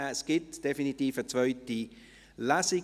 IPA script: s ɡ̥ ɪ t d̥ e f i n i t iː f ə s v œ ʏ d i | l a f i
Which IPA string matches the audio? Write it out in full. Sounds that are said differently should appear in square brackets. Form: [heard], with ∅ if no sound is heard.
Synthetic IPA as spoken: s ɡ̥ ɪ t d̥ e f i n i t iː f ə [t͡s] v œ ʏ [t] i | l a [s] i